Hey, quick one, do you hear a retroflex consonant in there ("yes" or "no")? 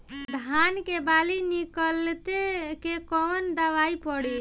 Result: yes